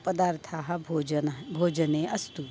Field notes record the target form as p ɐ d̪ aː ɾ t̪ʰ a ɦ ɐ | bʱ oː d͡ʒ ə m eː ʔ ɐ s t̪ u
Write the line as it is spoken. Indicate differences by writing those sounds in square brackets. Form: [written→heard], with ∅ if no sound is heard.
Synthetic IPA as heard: p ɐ d̪ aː ɾ t̪ʰ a ɦ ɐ | bʱ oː d͡ʒ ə [m→n] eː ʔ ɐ s t̪ u